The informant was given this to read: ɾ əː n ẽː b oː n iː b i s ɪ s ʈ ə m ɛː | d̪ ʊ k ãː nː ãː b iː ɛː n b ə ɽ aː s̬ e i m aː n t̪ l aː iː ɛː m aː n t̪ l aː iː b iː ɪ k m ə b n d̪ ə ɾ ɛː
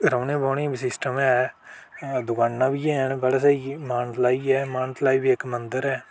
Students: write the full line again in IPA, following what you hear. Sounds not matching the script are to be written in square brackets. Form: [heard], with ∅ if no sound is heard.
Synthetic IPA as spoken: ɾ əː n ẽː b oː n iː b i s ɪ s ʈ ə m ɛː | d̪ ʊ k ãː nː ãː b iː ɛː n b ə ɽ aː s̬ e i m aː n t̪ l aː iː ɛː m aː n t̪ l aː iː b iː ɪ k m ə [∅] n d̪ ə ɾ ɛː